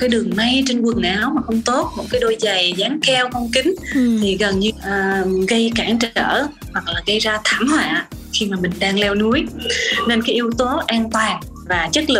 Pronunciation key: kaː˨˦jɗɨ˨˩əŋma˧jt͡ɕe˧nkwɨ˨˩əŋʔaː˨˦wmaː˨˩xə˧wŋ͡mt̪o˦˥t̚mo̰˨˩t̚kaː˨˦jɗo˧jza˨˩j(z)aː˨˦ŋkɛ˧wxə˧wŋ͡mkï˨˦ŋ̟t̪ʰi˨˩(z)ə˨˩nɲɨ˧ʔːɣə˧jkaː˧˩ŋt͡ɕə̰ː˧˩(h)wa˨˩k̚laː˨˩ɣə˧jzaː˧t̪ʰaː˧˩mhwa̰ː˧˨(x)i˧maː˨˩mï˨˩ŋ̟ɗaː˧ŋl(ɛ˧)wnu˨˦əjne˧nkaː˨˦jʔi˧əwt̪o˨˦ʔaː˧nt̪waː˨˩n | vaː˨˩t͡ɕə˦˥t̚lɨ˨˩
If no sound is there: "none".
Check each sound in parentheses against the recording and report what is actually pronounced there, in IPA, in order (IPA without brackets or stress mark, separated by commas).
z, ɣ, h, x, ɛ˧